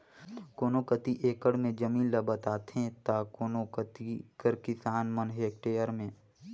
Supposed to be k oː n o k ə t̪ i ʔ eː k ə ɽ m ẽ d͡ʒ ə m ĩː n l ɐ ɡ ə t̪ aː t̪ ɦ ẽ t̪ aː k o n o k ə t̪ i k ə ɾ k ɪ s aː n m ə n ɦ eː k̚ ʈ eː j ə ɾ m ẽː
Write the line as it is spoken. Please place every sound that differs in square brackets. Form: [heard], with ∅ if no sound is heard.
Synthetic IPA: k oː n o k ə t̪ i ʔ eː k ə ɽ m ẽ d͡ʒ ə m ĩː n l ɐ [b] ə t̪ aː t̪ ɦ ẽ t̪ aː k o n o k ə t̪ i k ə ɾ k ɪ s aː n m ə n ɦ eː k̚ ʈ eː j ə ɾ m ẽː